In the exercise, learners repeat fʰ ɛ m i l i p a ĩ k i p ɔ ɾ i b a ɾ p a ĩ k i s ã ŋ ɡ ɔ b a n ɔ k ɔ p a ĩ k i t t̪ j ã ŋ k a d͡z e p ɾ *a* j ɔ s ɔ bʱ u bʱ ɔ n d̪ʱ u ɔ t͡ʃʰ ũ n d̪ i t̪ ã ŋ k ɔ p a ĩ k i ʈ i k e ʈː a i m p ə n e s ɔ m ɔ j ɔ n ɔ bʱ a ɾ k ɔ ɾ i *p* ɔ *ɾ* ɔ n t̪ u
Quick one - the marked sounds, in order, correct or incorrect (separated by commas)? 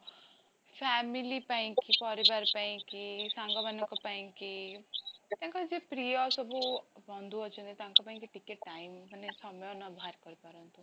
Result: incorrect, correct, correct